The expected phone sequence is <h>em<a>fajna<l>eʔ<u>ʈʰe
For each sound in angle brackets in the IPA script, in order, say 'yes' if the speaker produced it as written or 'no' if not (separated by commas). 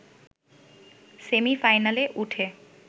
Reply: no, no, yes, yes